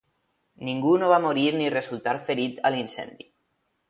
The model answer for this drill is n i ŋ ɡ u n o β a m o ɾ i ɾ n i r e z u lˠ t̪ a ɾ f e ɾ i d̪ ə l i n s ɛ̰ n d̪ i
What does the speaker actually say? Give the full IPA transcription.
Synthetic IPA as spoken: n i ŋ ɡ u n o β a m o ɾ i ɾ n i r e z u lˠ t̪ a ɾ f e ɾ i t̪ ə l i n s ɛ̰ n d̪ i